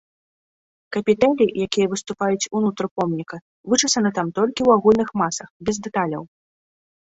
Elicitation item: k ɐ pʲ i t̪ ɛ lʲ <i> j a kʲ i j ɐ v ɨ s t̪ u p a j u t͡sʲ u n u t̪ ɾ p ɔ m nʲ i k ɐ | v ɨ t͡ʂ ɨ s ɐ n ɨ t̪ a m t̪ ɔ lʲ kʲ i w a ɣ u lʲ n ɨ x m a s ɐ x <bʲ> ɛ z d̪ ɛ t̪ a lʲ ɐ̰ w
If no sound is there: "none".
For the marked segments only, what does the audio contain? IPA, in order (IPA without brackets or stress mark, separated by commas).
i, bʲ